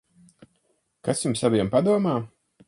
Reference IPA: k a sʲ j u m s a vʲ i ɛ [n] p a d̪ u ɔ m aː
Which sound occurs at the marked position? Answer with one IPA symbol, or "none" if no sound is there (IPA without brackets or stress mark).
m